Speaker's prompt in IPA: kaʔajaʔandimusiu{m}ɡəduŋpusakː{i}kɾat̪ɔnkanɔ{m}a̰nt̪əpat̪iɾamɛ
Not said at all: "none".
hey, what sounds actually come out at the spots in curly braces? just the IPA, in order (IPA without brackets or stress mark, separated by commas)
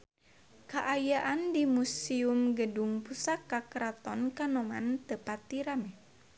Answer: m, a, m